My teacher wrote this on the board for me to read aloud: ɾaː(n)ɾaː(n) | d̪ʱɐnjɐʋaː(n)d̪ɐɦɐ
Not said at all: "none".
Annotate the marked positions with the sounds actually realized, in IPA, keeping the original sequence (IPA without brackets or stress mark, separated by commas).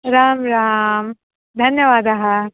m, m, none